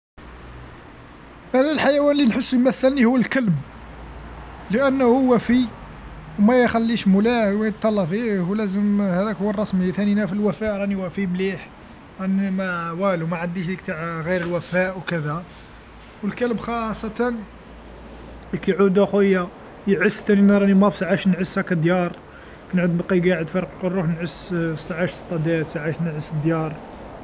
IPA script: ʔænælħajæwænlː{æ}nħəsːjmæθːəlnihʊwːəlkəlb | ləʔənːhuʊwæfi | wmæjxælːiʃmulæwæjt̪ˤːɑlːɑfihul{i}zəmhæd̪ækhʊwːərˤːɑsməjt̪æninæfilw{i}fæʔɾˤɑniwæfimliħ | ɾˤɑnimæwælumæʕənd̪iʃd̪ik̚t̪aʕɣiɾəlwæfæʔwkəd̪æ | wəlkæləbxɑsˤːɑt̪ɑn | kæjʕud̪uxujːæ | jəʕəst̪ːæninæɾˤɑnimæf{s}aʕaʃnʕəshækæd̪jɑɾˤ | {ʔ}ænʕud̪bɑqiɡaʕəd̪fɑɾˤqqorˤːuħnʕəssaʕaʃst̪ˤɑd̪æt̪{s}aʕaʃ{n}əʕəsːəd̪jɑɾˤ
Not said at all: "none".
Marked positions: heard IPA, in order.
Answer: i, æ, æ, s, k, s, n

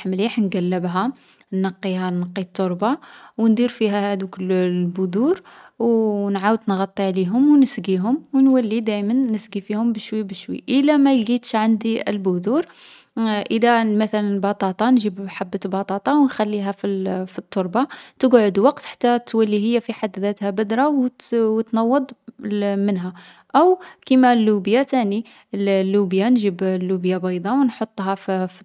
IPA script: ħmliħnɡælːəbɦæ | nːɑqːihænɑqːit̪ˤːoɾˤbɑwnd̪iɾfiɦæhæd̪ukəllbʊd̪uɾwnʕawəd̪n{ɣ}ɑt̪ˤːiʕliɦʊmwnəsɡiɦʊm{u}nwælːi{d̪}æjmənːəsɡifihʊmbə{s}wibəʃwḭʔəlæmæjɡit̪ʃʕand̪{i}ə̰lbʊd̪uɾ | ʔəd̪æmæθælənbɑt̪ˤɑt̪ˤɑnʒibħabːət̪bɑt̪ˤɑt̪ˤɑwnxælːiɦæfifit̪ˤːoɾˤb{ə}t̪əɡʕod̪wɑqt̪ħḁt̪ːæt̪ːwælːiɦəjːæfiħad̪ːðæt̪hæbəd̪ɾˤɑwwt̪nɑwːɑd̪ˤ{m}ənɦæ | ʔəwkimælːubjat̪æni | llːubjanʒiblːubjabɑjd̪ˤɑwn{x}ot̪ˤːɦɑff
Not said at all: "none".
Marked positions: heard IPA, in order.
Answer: ɣ, w, d̪, ʃ, i, ɑ, m, ħ

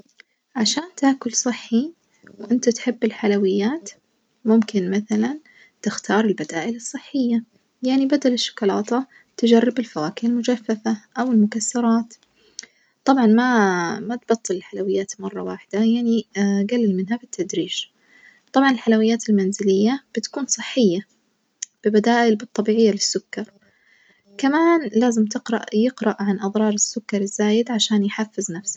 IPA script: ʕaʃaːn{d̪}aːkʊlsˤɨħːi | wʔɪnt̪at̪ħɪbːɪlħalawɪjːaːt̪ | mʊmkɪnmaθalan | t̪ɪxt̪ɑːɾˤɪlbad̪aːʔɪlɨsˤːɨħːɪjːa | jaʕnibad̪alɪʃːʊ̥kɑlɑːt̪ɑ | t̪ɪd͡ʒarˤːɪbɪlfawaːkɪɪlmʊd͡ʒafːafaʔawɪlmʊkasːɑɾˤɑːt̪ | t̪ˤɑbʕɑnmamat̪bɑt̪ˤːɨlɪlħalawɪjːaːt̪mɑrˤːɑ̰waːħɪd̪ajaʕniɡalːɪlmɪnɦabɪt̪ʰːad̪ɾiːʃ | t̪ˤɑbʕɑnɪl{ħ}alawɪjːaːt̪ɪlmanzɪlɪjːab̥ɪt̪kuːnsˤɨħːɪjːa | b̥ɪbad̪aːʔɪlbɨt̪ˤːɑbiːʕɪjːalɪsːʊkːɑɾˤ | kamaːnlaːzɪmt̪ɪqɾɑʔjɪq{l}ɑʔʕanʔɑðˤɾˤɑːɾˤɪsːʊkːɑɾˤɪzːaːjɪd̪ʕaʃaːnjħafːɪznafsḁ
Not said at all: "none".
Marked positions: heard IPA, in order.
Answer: t̪, ħ, ɾ

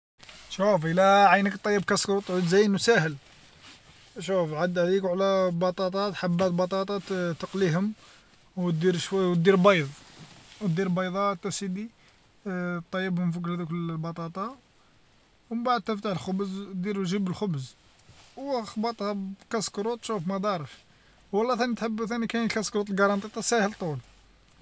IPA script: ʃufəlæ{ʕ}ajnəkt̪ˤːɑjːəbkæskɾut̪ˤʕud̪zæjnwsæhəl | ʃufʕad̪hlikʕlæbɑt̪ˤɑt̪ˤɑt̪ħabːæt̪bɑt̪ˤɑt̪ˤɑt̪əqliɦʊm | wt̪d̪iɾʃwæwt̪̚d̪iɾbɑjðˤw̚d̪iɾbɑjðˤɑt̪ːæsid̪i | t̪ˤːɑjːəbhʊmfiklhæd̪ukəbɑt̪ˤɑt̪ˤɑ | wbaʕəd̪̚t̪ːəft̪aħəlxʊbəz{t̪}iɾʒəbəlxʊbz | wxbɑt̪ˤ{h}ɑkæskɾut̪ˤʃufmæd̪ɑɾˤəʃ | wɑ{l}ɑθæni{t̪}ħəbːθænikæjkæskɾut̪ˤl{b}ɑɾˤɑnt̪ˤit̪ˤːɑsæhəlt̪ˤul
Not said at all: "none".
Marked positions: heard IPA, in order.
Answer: ʕ, d̪, h, lː, t̪, ɡ

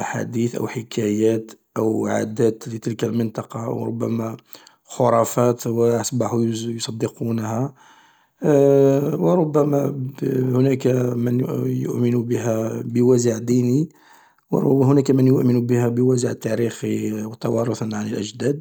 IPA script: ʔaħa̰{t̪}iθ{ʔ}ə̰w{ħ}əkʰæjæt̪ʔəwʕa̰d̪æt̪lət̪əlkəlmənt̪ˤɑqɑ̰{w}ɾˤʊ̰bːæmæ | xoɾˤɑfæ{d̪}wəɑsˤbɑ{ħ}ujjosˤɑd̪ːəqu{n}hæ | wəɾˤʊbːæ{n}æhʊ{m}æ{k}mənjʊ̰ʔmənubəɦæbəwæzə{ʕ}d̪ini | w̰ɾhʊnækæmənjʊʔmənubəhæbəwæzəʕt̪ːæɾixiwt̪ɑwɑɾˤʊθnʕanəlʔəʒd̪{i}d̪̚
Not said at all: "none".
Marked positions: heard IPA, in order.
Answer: d̪, ʔ, ħ, w, t̪, ħ, n, m, n, k, ʕ, æ

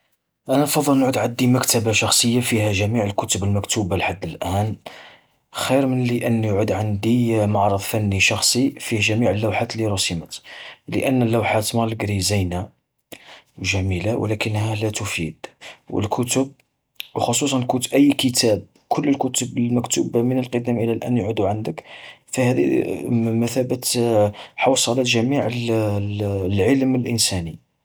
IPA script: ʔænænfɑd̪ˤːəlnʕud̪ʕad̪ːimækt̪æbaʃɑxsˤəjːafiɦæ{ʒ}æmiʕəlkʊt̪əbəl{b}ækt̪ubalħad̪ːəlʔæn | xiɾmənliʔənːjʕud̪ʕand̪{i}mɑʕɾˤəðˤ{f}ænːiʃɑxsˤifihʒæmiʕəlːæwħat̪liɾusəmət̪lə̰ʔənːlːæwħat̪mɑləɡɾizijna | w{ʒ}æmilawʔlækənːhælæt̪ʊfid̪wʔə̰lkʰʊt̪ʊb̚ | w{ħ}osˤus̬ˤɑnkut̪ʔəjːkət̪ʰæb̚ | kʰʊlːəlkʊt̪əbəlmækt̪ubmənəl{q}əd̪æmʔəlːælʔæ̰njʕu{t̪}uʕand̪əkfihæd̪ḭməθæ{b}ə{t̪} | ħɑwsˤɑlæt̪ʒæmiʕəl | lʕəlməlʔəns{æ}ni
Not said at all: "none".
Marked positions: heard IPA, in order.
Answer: ʒ, m, i, f, ʒ, x, q, d̪, b, t̪, æ

